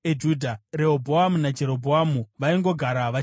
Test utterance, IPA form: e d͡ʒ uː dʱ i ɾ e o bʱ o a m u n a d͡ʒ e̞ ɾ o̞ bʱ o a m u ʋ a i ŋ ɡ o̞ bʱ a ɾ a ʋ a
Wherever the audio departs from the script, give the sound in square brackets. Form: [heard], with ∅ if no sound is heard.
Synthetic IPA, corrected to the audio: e d͡ʒ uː dʱ [a] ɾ e o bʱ o a m u n a d͡ʒ e̞ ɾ o̞ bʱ o a m u ʋ a i ŋ ɡ o̞ [ɡʱ] a ɾ a ʋ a

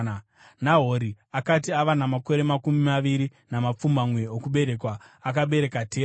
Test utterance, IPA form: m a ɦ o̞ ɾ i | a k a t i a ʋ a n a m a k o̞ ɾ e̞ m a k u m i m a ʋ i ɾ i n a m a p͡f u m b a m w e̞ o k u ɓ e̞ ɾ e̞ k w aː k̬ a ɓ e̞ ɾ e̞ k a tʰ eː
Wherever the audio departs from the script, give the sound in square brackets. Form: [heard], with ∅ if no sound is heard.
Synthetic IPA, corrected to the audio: [n] a ɦ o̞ ɾ i | a k a t i a ʋ a n a m a k o̞ ɾ e̞ m a k u m i m a ʋ i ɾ i n a m a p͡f u m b a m w e̞ o k u ɓ e̞ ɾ e̞ k w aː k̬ a ɓ e̞ ɾ e̞ k a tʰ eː

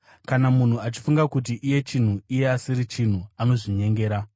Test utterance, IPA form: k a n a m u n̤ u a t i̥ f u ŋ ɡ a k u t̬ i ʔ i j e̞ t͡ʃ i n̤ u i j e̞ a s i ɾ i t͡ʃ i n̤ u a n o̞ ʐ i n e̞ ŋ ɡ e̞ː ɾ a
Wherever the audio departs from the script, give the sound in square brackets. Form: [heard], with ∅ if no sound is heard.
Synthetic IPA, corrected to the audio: k a n a m u n̤ u a [t͡ʃ] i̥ f u ŋ ɡ a k u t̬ i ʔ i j e̞ t͡ʃ i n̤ u i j e̞ a s i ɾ i t͡ʃ i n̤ u a n o̞ ʐ i [ɲ] e̞ ŋ ɡ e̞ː ɾ a

